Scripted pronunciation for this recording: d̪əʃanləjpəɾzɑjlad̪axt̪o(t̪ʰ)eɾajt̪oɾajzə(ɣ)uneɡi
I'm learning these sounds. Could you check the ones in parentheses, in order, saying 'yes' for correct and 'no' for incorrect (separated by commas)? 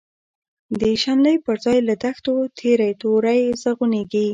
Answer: yes, yes